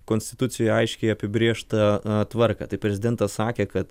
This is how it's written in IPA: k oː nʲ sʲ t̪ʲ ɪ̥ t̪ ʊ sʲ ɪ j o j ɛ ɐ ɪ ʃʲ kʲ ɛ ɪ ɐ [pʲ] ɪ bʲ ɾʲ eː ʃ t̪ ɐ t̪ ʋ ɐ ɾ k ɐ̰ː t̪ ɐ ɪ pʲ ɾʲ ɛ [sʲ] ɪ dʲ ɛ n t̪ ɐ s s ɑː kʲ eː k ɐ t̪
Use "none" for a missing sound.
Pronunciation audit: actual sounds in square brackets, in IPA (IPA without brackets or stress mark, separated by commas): pʲ, zʲ